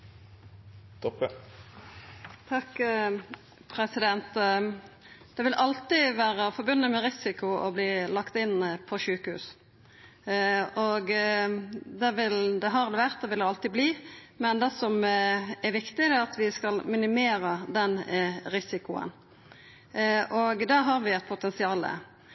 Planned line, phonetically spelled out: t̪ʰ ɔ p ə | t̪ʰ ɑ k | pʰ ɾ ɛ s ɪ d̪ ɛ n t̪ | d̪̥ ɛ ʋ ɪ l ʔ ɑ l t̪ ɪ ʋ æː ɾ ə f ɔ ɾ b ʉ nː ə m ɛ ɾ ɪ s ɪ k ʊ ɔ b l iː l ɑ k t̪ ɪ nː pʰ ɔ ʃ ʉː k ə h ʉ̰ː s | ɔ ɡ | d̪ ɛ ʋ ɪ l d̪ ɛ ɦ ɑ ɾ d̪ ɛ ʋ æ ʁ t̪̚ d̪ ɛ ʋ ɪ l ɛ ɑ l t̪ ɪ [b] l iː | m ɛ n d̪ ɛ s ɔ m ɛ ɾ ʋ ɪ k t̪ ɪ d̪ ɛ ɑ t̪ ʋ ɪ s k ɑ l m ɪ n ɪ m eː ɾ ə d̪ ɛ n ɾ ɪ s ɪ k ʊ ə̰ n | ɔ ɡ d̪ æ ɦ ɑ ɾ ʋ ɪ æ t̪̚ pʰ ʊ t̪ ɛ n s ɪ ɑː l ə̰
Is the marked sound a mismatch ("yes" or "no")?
no